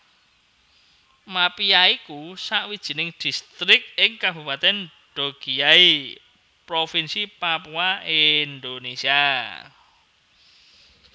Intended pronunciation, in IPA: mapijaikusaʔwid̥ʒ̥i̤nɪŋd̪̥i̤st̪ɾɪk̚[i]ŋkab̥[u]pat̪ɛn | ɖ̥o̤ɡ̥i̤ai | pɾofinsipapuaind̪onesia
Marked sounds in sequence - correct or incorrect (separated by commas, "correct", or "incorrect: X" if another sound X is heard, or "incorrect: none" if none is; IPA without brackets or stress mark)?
incorrect: ɪ, correct